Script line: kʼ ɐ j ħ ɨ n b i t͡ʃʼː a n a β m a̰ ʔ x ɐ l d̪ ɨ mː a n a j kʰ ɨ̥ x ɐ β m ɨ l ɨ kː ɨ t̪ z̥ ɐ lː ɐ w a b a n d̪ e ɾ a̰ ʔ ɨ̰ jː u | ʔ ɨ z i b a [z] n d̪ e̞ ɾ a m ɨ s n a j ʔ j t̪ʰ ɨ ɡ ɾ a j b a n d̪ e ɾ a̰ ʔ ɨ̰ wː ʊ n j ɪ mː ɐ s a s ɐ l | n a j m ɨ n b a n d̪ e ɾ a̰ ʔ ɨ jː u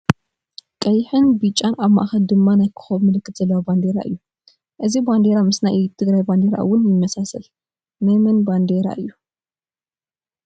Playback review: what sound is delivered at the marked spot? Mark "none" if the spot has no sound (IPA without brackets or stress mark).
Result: none